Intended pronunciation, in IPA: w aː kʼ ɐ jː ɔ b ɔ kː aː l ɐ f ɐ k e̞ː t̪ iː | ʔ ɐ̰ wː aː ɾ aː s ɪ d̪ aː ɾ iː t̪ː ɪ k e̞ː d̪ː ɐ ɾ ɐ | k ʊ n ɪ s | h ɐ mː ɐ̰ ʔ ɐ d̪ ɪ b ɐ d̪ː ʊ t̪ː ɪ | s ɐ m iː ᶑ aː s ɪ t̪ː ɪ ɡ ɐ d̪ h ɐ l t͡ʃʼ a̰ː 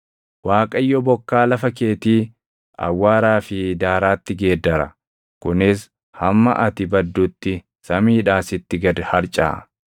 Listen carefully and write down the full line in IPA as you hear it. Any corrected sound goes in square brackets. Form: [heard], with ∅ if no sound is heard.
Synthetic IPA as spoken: w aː kʼ ɐ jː ɔ b ɔ kː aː l ɐ f ɐ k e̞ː t̪ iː | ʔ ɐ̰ wː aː ɾ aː [f] ɪ d̪ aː ɾ [aː] t̪ː ɪ [ɡ] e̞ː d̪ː ɐ ɾ ɐ | k ʊ n ɪ s | h ɐ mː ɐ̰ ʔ ɐ [t̪] ɪ b ɐ d̪ː ʊ t̪ː ɪ | s ɐ m iː ᶑ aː s ɪ t̪ː ɪ ɡ ɐ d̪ h ɐ [ɾ] t͡ʃʼ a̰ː

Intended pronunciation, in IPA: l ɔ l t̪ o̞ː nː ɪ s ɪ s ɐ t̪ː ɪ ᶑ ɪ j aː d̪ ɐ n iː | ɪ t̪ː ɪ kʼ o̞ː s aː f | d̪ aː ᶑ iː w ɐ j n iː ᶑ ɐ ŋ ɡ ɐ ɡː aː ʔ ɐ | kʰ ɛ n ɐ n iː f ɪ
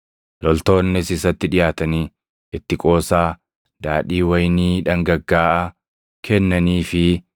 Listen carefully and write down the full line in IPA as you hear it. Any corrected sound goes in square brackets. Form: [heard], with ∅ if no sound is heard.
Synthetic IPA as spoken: l ɔ l t̪ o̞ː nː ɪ s ɪ s ɐ t̪ː ɪ ᶑ ɪ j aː [t̪] ɐ n iː | ɪ t̪ː ɪ kʼ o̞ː s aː [∅] | d̪ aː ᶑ iː w ɐ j n iː ᶑ ɐ ŋ ɡ ɐ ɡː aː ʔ ɐ | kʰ ɛ [nː] ɐ n iː f ɪ

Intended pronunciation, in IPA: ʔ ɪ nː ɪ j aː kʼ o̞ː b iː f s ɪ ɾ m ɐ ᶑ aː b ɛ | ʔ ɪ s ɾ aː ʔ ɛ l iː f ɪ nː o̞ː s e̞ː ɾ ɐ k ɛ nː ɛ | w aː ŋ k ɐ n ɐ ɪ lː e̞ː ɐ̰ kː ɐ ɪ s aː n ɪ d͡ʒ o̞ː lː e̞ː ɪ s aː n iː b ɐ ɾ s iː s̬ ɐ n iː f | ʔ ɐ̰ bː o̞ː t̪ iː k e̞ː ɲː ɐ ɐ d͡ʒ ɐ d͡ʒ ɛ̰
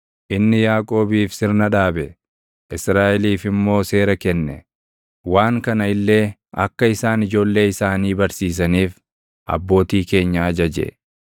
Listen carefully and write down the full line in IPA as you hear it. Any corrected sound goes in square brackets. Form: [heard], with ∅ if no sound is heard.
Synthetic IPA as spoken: ʔ ɪ nː ɪ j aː kʼ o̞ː b iː f s ɪ ɾ [n] ɐ ᶑ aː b ɛ | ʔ ɪ s ɾ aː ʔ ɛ l iː f ɪ [mː] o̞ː s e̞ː ɾ ɐ k ɛ nː ɛ | w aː ŋ k ɐ n ɐ ɪ lː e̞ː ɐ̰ kː ɐ ɪ s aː n ɪ d͡ʒ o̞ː lː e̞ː ɪ s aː n iː b ɐ ɾ s iː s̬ ɐ n iː f | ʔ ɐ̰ bː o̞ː t̪ iː k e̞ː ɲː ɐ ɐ d͡ʒ ɐ d͡ʒ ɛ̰

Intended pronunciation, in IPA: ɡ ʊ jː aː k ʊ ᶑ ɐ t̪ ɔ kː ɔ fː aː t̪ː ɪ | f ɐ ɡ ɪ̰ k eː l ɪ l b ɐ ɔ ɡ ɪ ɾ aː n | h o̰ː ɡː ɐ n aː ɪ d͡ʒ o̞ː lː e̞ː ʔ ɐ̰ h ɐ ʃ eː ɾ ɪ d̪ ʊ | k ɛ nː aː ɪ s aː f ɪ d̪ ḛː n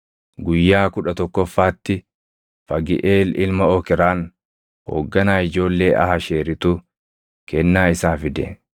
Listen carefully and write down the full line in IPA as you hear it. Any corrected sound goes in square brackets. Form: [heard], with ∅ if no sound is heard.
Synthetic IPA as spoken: ɡ ʊ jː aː k ʊ ᶑ ɐ t̪ ɔ kː ɔ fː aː t̪ː ɪ | f ɐ ɡ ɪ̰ [ʔ] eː l ɪ l [m] ɐ ɔ [k] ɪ ɾ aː n | h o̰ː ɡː ɐ n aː ɪ d͡ʒ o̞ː lː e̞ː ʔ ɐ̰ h ɐ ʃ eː ɾ ɪ [t̪] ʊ | k ɛ nː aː ɪ s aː f ɪ d̪ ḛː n

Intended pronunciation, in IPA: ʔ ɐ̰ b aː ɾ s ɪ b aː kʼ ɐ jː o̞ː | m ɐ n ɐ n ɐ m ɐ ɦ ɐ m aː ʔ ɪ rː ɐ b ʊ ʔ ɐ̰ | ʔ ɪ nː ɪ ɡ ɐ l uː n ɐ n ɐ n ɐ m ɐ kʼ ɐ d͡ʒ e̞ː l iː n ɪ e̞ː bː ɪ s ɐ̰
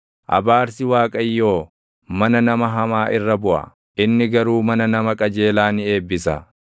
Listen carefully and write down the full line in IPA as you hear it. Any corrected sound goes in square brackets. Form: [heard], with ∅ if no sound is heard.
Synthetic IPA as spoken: ʔ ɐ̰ b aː ɾ s ɪ [w] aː kʼ ɐ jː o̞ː | m ɐ n ɐ n ɐ m ɐ ɦ ɐ m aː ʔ ɪ rː ɐ b ʊ ʔ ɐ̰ | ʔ ɪ nː ɪ ɡ ɐ [ɾ] uː [m] ɐ n ɐ n ɐ m ɐ kʼ ɐ d͡ʒ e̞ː l [aː] n ɪ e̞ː bː ɪ s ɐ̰

